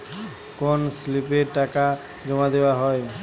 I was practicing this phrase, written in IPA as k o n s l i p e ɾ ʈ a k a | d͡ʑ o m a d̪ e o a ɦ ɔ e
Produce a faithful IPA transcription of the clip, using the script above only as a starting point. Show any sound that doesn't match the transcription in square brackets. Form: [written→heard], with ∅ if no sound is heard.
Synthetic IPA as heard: k o n s l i p e ɾ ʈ a k a | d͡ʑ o m a d̪ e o a ɦ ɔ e